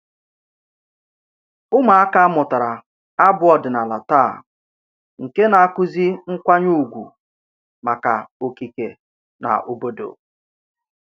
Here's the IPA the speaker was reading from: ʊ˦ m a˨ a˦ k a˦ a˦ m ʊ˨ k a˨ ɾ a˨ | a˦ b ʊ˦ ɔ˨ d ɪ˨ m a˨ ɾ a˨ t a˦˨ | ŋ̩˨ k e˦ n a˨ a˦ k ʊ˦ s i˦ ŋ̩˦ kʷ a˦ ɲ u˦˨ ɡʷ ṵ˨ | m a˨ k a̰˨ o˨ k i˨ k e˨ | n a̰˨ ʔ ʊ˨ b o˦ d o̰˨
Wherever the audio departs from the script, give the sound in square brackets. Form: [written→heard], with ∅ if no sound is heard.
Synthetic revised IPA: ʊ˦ m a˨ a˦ k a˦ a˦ m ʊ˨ [k→t] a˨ ɾ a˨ | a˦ b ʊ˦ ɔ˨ d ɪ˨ [m→n] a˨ [ɾ→l] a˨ t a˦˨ | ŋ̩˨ k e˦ n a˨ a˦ k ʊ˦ [s→z] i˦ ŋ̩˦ kʷ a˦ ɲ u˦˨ ɡʷ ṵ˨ | m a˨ k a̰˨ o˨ k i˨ k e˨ | n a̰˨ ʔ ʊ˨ b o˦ d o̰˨